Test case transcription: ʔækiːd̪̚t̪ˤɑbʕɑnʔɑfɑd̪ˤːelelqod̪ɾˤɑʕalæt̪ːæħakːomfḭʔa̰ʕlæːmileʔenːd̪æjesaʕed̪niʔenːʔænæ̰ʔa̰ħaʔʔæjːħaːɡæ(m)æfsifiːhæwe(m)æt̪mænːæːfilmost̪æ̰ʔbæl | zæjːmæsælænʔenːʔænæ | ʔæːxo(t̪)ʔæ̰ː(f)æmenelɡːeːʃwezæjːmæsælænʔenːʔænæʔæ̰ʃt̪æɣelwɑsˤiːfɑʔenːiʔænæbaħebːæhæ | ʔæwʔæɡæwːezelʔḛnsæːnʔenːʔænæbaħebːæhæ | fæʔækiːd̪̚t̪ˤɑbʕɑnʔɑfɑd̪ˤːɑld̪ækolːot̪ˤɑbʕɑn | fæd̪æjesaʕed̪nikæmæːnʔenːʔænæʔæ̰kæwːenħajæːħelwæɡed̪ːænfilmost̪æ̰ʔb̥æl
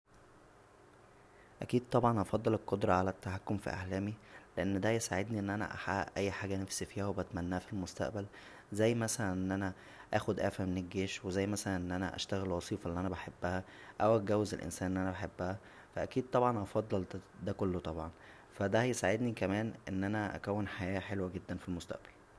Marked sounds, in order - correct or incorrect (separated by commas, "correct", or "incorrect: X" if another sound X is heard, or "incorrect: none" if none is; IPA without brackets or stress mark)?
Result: incorrect: n, incorrect: b, incorrect: d̪, correct